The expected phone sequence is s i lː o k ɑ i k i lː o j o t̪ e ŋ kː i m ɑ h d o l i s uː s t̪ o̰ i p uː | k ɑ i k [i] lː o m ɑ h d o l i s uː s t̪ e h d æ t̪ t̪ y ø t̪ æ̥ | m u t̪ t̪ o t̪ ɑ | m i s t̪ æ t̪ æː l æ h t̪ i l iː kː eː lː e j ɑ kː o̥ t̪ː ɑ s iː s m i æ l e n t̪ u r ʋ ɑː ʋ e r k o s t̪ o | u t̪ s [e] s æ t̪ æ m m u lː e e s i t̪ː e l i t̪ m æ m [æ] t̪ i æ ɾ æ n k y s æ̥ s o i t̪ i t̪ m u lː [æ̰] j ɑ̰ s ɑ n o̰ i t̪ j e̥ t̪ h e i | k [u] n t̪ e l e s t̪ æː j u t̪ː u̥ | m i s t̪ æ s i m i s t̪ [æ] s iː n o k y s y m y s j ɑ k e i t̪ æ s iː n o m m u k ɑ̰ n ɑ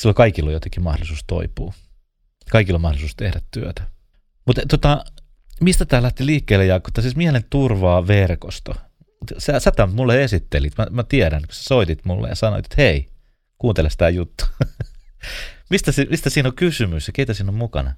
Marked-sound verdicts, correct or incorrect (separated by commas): correct, incorrect, correct, incorrect, incorrect, correct